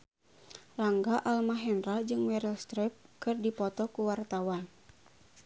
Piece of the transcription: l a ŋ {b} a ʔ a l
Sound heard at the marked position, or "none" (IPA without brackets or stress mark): ɡ